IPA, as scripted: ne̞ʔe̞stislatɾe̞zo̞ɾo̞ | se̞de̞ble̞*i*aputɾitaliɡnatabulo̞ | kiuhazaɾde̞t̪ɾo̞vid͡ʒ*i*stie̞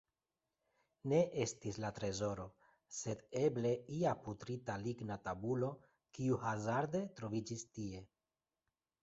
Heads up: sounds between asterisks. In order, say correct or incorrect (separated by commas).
correct, correct